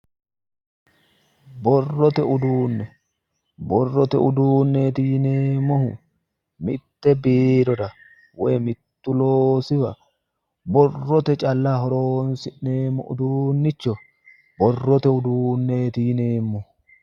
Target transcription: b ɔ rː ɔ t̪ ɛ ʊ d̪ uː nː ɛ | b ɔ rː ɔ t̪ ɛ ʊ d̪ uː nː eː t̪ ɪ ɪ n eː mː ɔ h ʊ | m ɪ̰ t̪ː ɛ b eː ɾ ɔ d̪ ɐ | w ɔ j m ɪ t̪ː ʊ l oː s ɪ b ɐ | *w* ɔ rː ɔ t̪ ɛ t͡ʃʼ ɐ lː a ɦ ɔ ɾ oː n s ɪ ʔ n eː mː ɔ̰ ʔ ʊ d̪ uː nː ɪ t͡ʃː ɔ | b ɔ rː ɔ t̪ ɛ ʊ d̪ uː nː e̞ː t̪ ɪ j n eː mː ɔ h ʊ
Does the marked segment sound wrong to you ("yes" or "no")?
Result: yes